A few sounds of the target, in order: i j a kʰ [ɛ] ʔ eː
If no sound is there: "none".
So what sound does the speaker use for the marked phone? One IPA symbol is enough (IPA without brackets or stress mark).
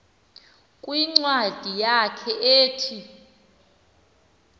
ɛ